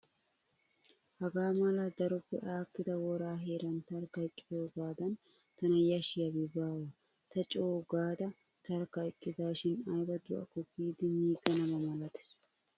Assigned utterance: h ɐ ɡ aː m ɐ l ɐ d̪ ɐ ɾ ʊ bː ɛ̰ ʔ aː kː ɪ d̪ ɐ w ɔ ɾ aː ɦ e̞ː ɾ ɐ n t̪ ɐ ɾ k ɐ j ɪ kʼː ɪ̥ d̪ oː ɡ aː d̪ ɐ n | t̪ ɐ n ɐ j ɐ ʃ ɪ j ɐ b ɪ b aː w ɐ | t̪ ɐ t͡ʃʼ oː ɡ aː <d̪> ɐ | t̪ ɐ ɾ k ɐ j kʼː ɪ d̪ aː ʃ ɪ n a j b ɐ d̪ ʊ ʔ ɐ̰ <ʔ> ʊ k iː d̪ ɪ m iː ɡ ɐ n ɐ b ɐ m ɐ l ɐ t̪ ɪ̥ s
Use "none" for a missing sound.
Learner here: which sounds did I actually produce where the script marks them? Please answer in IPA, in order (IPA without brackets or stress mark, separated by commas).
d̪, k